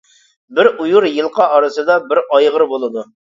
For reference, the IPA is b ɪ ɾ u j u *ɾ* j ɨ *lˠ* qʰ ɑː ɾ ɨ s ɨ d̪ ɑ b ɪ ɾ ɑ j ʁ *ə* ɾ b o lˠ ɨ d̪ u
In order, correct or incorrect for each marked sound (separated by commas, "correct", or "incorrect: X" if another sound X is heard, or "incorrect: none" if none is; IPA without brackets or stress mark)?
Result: correct, correct, correct